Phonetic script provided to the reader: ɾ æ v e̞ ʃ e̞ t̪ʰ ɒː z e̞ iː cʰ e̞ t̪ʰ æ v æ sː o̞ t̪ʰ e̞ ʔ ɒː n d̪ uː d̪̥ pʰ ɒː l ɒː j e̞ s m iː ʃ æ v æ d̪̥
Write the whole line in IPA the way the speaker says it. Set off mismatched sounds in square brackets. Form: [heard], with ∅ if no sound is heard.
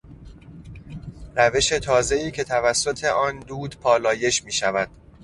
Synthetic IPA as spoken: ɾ æ v e̞ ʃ e̞ t̪ʰ ɒː z e̞ iː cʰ e̞ t̪ʰ æ v æ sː o̞ t̪ʰ e̞ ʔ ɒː n d̪ uː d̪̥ pʰ ɒː l ɒː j e̞ [ʃ] m iː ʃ æ v æ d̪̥